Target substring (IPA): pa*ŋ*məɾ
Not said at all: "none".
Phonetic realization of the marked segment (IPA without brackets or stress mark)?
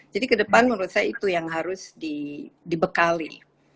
n